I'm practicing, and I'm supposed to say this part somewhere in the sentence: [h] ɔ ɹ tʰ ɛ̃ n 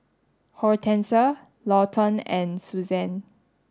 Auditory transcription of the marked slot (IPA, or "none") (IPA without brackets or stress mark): h